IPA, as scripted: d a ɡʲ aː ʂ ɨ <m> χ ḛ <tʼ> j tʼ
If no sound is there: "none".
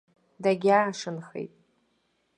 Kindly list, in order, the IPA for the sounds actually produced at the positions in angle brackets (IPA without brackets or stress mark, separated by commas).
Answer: n, none